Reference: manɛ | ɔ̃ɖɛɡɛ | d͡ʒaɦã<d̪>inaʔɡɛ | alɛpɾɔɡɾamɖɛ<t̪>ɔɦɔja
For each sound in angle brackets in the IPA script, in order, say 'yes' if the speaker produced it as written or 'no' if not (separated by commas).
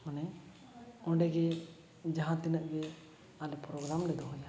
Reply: no, no